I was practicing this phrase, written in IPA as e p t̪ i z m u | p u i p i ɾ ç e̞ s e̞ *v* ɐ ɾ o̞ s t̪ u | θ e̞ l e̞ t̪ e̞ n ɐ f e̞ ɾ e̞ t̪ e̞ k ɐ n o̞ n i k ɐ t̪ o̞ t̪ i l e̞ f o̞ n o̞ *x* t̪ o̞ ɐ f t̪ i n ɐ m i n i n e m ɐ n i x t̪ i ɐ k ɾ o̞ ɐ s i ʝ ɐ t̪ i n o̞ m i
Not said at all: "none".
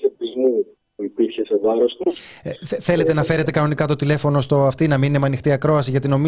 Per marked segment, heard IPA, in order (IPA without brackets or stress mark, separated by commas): v, s